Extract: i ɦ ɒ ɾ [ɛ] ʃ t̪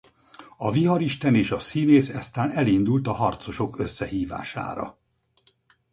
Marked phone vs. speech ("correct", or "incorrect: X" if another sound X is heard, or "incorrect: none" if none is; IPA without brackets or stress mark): incorrect: i